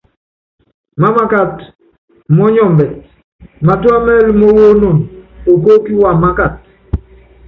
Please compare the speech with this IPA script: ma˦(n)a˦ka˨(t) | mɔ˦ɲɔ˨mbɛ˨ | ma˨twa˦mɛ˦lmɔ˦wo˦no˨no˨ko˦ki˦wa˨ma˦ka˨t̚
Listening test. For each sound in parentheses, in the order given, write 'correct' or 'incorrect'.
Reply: incorrect, correct

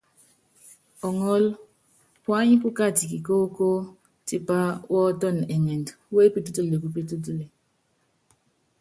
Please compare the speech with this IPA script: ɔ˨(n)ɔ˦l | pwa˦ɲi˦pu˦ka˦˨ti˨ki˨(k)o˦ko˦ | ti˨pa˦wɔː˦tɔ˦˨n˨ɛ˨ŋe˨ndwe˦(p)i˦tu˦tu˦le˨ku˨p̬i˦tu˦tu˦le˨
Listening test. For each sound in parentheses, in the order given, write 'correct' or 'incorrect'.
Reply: incorrect, correct, correct

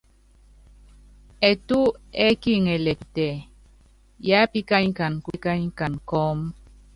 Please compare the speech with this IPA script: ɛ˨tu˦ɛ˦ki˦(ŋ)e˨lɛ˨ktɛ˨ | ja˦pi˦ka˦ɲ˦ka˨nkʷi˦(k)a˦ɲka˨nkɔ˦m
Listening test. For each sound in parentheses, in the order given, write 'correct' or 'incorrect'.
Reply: correct, correct

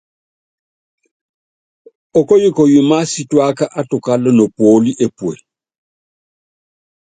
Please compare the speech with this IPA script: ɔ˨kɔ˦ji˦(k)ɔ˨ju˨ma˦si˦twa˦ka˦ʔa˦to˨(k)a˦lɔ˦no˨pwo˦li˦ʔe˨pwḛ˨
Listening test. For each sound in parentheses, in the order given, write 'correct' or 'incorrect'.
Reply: correct, correct

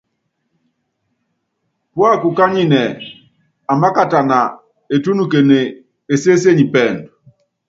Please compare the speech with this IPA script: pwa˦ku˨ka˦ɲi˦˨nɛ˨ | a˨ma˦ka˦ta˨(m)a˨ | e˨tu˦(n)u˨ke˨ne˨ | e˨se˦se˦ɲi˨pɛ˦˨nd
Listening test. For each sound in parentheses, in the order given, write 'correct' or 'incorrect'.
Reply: incorrect, correct

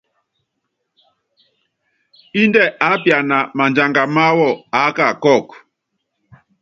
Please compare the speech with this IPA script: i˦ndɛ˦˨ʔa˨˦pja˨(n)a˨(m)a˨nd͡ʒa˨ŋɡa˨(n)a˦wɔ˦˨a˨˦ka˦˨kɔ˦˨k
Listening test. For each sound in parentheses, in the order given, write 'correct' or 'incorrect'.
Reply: correct, correct, incorrect

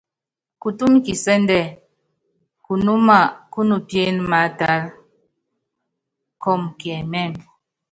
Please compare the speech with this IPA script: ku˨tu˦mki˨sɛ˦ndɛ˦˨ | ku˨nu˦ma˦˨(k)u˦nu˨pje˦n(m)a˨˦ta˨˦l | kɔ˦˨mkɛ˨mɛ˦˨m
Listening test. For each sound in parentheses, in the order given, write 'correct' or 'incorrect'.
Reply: correct, correct

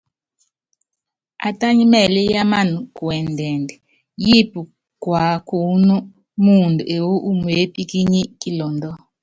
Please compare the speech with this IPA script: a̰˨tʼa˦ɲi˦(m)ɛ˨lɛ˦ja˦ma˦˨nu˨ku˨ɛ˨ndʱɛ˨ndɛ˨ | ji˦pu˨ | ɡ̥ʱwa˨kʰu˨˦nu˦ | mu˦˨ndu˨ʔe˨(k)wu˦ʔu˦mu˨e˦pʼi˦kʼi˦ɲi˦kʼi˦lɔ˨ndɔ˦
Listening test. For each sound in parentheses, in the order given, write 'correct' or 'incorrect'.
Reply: correct, incorrect

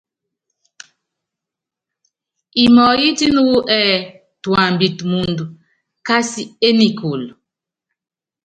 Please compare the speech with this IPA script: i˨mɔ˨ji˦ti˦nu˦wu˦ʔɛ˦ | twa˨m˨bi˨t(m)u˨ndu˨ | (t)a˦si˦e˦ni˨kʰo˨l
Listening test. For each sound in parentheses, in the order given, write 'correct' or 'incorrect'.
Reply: correct, incorrect

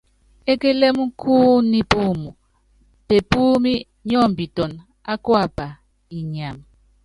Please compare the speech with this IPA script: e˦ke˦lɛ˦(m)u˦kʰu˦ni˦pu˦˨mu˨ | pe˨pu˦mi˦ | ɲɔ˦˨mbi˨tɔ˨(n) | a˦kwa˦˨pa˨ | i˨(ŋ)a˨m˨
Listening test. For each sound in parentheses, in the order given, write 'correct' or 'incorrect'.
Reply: correct, correct, incorrect

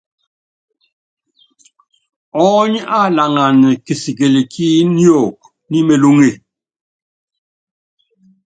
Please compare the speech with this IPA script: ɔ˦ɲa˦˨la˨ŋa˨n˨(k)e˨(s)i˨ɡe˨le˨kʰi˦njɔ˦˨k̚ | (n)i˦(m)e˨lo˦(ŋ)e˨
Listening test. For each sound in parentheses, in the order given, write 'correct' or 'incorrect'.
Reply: correct, correct, correct, correct, correct

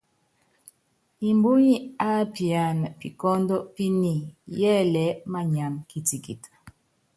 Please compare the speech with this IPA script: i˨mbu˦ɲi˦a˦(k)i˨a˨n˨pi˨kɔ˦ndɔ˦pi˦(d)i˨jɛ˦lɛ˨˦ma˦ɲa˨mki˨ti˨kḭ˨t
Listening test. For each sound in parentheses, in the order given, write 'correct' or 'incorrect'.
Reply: incorrect, incorrect

